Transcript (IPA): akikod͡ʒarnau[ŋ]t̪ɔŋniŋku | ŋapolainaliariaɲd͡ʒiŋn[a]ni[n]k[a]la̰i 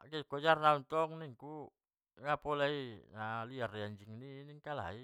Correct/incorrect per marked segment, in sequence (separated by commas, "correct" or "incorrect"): incorrect, incorrect, incorrect, correct